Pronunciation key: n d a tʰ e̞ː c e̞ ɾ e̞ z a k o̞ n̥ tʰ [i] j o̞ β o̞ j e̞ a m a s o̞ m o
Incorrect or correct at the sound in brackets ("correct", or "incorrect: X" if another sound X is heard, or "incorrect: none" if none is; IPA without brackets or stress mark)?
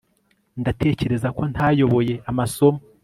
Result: incorrect: a